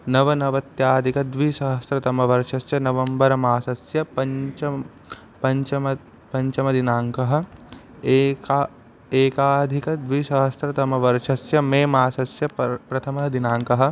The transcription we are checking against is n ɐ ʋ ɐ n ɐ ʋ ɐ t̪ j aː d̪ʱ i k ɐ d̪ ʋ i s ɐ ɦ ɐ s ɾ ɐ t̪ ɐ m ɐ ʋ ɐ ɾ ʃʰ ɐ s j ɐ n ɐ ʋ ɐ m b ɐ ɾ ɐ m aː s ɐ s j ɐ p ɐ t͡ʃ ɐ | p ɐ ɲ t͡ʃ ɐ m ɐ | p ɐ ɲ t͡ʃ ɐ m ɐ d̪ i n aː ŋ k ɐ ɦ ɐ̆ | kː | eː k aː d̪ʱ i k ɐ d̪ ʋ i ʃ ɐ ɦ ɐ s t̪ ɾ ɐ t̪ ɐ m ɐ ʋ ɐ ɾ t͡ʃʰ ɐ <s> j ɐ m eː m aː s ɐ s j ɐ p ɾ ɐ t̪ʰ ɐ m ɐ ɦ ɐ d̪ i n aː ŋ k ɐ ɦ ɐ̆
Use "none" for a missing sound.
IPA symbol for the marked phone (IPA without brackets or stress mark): s